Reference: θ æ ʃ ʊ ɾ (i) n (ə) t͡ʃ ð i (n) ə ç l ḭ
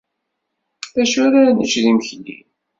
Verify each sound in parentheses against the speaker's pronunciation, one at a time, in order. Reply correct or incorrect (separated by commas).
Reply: incorrect, correct, incorrect